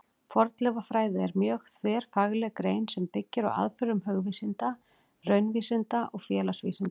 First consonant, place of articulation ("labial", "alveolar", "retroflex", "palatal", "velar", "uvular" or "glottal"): labial